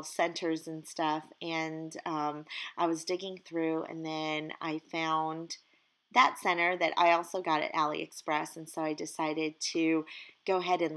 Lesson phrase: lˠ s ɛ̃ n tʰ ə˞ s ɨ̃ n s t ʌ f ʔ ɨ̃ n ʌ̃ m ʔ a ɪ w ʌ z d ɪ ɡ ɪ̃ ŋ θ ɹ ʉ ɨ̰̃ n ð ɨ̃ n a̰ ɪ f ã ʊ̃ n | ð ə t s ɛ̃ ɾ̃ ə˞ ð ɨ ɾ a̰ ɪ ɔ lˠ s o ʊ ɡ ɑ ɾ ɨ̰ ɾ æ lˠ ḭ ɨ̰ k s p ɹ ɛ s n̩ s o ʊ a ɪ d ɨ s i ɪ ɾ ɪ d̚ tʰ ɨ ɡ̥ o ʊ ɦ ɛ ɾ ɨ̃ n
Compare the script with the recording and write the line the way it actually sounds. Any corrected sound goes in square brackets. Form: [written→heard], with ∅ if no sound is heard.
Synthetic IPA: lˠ s ɛ̃ n tʰ ə˞ [s→z] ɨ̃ n s t ʌ f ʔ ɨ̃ n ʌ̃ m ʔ a ɪ w ʌ z d ɪ ɡ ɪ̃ ŋ θ ɹ ʉ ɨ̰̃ n ð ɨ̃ n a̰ ɪ f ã ʊ̃ n | ð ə t s ɛ̃ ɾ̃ ə˞ ð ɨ ɾ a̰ ɪ ɔ lˠ s o ʊ ɡ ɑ ɾ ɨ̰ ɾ æ lˠ ḭ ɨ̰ k s p ɹ ɛ s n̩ s o ʊ a ɪ d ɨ s [i→a] ɪ ɾ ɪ d̚ tʰ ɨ ɡ̥ o ʊ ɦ ɛ ɾ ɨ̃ n